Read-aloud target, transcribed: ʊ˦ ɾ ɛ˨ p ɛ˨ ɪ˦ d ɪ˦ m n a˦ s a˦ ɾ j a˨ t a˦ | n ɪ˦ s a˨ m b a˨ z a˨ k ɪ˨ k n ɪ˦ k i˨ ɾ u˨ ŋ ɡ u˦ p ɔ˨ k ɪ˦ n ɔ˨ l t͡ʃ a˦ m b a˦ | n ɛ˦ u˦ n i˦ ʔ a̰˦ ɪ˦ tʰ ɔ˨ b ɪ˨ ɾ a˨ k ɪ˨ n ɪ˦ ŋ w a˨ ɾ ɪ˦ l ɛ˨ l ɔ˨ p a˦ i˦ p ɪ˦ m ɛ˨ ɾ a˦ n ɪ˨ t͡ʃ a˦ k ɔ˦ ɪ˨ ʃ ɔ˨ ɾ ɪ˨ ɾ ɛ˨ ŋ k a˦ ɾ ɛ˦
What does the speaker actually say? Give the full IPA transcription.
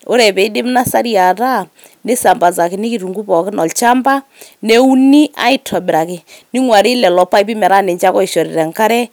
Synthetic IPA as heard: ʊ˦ ɾ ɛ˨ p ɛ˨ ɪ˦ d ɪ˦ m n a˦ s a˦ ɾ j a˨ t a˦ | n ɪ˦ s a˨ m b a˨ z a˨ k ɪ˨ n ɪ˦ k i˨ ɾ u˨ ŋ ɡ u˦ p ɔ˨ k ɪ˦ n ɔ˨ l t͡ʃ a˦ m b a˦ | n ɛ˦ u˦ n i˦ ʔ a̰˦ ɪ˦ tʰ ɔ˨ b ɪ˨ ɾ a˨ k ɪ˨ n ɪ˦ ŋ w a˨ ɾ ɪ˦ l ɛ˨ l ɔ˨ p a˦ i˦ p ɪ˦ m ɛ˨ ɾ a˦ n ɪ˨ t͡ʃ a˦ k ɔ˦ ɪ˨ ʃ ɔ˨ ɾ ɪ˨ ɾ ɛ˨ ŋ k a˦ ɾ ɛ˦